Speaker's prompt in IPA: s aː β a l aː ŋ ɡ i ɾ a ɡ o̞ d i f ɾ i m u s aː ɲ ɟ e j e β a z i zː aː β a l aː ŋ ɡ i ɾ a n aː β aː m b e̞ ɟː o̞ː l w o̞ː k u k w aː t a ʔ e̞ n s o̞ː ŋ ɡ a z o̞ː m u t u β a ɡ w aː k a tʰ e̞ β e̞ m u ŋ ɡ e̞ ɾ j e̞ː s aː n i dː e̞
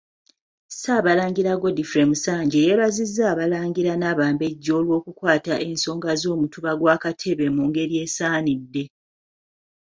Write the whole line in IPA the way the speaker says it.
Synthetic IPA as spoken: s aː β a l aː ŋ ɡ i ɾ a ɡ o̞ d i f ɾ e m u s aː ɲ ɟ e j e β a z i zː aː β a l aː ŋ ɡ i ɾ a n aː β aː m b e̞ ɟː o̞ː l w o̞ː k u k w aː t a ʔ e̞ n s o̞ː ŋ ɡ a z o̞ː m u t u β a ɡ w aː k a tʰ e̞ β e̞ m u ŋ ɡ e̞ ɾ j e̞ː s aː n i dː e̞